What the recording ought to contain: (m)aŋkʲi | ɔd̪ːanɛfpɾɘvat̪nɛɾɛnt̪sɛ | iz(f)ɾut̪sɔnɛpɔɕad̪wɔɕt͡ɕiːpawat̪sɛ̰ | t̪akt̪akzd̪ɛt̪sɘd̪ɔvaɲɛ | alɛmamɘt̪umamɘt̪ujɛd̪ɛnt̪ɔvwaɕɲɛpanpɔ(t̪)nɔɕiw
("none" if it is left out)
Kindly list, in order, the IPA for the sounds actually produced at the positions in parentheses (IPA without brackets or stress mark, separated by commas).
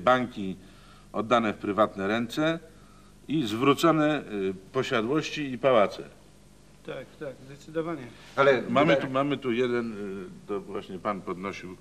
b, v, d̪